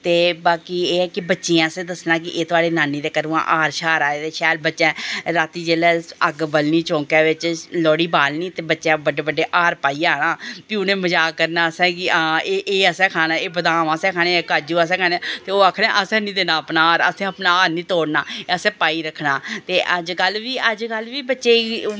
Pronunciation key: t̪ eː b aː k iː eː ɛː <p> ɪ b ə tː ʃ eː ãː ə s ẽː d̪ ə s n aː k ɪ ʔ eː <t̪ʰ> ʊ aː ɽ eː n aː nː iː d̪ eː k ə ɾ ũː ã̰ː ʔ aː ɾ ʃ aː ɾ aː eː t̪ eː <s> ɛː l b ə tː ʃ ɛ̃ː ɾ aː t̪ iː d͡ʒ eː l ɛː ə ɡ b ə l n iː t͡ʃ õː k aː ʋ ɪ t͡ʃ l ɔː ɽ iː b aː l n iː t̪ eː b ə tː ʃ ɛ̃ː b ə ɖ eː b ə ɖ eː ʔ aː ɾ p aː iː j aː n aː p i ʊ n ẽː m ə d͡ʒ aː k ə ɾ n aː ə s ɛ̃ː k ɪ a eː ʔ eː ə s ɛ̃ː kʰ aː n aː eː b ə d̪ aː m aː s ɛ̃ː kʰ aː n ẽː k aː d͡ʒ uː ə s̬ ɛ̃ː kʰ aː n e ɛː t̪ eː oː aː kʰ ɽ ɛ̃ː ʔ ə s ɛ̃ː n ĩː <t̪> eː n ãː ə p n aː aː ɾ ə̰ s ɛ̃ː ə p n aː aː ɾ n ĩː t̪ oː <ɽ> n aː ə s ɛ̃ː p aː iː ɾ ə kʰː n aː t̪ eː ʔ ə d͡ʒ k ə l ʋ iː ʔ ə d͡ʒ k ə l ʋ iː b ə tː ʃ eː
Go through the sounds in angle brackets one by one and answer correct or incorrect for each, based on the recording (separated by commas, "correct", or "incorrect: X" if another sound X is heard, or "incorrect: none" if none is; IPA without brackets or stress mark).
incorrect: k, incorrect: t̪, incorrect: ʃ, incorrect: d̪, correct